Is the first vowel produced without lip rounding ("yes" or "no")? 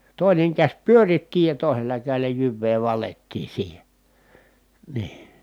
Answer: no